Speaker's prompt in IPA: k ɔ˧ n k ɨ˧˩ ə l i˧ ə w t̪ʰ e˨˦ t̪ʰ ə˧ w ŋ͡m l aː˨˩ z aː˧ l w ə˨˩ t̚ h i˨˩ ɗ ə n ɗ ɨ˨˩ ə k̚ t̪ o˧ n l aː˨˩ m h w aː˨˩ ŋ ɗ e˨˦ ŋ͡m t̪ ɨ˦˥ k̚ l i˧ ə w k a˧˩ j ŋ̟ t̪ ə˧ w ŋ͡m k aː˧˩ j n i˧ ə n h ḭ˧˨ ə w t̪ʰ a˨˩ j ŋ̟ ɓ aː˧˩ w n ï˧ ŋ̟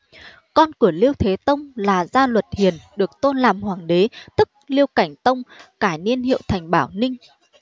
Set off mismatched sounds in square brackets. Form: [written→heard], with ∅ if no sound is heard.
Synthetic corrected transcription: k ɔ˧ n k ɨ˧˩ ə l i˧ ə w t̪ʰ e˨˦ [t̪ʰ→t̪] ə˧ w ŋ͡m l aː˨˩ z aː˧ l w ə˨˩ t̚ h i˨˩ [ɗ→∅] ə n ɗ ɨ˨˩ ə k̚ t̪ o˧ n l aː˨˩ m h w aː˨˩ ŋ ɗ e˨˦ [ŋ͡m→∅] t̪ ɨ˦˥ k̚ l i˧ ə w k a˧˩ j ŋ̟ t̪ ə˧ w ŋ͡m k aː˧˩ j n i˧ ə n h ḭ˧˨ ə w t̪ʰ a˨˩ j ŋ̟ ɓ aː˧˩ w n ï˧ ŋ̟